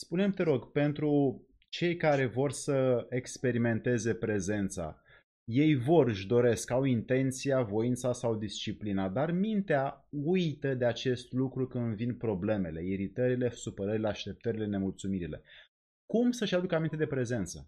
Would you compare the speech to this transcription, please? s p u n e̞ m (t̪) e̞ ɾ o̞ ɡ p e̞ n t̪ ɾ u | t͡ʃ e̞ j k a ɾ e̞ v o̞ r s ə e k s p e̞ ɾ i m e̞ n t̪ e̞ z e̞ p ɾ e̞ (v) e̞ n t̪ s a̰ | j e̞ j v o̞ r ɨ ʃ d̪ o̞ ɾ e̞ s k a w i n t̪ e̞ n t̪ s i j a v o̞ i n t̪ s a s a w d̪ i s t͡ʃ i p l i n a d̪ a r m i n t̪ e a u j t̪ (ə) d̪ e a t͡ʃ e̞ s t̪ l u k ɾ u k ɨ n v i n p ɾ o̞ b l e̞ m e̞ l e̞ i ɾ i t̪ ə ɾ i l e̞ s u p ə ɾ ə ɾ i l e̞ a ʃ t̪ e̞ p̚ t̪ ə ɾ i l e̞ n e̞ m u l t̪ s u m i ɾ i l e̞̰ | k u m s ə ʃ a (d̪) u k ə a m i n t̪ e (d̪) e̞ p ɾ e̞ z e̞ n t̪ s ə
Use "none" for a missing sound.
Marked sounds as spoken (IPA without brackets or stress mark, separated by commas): t̪, z, ə, d̪, d̪